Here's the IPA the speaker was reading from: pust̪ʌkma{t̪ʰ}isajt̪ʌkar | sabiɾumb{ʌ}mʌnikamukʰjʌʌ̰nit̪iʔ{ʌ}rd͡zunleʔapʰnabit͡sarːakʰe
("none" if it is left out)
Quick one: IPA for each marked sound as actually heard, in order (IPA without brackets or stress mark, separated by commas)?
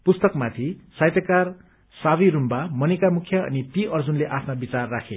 t̪ʰ, a, ʌ